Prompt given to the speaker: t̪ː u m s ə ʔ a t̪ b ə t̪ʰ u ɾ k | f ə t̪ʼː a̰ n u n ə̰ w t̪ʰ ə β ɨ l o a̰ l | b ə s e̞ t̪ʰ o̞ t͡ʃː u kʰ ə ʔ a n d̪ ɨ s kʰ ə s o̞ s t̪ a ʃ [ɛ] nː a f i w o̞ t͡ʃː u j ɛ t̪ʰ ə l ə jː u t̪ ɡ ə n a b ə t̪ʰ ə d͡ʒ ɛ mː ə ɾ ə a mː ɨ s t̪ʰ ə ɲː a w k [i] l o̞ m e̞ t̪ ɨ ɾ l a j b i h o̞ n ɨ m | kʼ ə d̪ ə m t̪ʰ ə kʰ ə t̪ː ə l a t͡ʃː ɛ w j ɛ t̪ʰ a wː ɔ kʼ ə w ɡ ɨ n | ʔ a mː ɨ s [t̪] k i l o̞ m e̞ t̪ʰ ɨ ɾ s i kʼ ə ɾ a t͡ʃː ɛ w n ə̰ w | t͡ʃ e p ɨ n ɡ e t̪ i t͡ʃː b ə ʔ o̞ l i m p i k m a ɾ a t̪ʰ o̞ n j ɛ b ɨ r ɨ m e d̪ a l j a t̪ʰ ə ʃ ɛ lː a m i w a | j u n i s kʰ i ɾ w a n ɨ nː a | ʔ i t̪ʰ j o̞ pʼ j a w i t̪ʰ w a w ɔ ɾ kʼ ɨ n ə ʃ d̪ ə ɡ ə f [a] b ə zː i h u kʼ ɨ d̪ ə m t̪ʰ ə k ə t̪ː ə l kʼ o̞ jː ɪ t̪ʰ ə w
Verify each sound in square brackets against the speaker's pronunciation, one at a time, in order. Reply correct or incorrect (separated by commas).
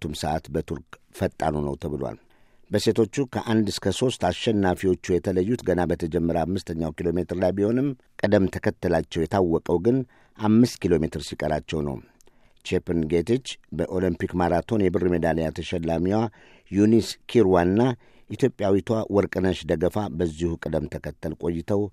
correct, correct, correct, correct